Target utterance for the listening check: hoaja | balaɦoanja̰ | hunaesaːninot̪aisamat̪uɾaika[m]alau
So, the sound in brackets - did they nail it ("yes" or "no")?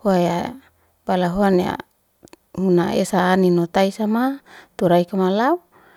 yes